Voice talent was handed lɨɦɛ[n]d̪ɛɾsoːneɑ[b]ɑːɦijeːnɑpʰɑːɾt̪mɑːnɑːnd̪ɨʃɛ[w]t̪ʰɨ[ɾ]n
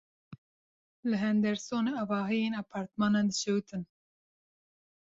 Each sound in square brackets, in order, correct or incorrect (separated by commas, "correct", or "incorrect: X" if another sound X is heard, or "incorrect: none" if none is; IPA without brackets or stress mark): correct, incorrect: v, correct, incorrect: none